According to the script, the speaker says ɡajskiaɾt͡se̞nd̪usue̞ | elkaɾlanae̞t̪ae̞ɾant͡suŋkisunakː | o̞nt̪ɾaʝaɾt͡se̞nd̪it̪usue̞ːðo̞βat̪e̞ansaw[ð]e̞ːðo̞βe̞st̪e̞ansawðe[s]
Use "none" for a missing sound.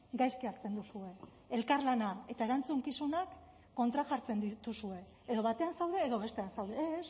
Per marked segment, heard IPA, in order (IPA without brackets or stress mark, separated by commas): ð, s